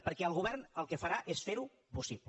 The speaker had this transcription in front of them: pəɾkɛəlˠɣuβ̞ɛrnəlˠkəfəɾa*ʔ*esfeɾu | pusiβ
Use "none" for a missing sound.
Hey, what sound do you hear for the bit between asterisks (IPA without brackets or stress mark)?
ʔ